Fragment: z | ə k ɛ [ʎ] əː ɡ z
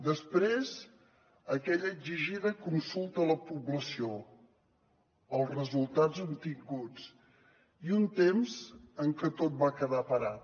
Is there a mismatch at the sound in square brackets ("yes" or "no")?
no